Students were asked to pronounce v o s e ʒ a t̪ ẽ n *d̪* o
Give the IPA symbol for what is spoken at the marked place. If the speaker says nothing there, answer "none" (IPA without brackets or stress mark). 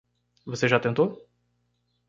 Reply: t̪